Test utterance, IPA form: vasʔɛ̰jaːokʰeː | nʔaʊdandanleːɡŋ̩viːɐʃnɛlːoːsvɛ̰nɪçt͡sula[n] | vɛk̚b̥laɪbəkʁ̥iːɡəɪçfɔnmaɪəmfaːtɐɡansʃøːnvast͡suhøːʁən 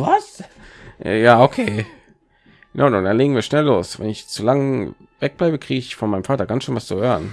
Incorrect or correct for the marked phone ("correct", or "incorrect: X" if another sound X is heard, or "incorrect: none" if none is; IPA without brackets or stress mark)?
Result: incorrect: ŋ